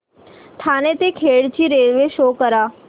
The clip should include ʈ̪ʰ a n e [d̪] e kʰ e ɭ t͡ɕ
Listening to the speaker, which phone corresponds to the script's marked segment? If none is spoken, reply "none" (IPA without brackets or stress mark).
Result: t̪